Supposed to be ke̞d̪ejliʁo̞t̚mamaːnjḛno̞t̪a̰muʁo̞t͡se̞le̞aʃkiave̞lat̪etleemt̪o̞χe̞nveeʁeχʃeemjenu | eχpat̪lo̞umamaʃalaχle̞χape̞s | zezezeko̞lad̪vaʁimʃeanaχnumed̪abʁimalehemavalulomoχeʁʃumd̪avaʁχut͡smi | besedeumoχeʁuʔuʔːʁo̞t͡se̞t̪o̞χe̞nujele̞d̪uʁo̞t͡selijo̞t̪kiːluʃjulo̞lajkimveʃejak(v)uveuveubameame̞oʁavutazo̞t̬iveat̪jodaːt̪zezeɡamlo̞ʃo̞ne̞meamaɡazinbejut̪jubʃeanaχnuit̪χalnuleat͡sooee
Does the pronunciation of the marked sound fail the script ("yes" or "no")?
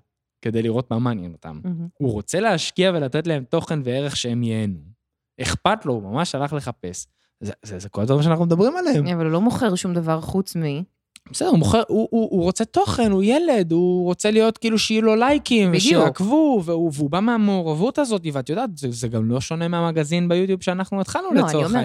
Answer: no